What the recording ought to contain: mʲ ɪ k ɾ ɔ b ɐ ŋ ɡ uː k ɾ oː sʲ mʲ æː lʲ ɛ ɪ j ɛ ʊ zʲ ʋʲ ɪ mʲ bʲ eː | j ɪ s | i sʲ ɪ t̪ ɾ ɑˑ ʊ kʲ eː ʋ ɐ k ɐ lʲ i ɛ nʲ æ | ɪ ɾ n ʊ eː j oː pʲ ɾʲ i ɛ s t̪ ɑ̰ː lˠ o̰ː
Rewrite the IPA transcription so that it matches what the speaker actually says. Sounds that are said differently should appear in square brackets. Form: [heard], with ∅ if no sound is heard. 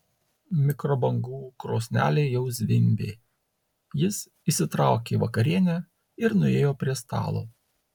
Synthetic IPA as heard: mʲ ɪ k ɾ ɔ b ɐ ŋ ɡ uː k ɾ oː sʲ [nʲ] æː lʲ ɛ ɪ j ɛ ʊ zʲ ʋʲ ɪ mʲ bʲ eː | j ɪ s | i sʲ ɪ t̪ ɾ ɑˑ ʊ kʲ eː ʋ ɐ k ɐ [ɾʲ] i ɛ nʲ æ | ɪ ɾ n ʊ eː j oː pʲ ɾʲ i ɛ s t̪ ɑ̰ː lˠ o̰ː